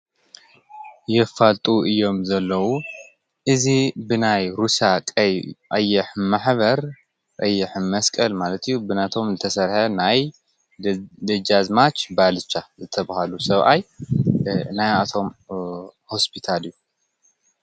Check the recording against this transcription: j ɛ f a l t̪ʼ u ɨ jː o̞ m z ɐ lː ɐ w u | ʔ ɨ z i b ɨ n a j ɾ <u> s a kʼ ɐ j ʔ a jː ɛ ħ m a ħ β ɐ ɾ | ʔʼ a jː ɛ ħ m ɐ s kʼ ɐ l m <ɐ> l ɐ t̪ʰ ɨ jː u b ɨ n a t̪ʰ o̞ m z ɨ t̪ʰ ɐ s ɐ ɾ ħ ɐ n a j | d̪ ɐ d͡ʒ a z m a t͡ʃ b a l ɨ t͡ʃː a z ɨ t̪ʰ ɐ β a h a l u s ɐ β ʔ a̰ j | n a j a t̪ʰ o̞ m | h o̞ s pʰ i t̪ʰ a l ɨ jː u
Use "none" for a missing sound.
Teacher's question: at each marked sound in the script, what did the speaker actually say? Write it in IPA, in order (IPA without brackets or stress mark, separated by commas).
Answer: u, a